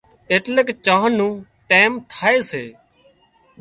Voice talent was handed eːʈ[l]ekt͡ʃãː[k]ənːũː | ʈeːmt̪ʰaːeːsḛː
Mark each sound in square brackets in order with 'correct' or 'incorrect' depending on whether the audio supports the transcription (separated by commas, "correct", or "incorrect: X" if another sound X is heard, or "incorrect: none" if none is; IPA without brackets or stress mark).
correct, incorrect: none